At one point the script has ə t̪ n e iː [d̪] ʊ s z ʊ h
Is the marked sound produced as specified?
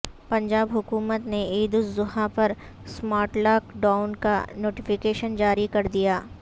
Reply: yes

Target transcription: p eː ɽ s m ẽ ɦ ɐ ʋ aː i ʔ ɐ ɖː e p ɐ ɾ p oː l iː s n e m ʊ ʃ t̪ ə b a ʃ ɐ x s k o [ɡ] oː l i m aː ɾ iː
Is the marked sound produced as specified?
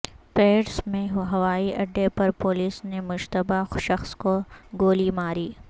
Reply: yes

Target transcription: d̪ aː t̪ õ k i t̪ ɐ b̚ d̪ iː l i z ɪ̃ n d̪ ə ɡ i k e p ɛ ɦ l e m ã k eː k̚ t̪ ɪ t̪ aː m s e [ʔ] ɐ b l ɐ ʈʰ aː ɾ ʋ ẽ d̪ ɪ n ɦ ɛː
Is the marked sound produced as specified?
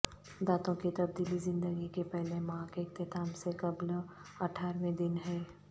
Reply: no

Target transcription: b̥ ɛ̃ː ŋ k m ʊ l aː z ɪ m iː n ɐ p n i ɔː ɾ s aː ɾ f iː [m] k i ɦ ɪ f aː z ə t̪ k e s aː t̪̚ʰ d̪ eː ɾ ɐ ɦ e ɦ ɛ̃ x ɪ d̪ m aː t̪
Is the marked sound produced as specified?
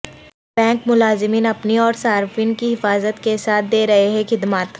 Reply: no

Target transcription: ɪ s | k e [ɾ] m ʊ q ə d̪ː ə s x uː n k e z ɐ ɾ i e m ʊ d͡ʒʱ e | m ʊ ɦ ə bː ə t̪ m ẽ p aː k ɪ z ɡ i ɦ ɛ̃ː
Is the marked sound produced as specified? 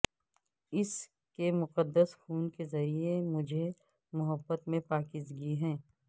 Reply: no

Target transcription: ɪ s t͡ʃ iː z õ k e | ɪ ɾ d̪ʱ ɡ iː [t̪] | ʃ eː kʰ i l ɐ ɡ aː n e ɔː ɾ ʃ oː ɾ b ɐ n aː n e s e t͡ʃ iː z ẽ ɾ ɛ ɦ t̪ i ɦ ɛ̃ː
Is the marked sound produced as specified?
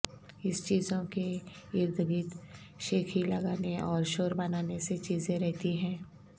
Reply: yes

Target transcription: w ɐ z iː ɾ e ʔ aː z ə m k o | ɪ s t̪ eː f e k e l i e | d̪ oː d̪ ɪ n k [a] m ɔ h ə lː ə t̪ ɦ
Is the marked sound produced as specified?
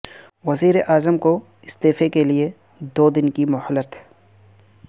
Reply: no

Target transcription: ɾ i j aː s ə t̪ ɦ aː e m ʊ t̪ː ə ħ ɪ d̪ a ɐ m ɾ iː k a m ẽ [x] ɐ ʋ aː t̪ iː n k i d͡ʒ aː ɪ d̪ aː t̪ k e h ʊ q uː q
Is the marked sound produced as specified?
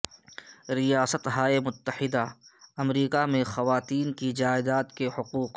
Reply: yes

